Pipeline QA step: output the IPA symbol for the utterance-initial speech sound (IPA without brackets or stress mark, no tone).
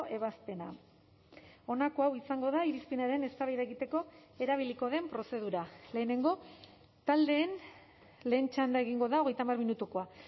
e̞